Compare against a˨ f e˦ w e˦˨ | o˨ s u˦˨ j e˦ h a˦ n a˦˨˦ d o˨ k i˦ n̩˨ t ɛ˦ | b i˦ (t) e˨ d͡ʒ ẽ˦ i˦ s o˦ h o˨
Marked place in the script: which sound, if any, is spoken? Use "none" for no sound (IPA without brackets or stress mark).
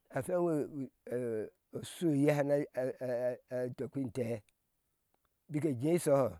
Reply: k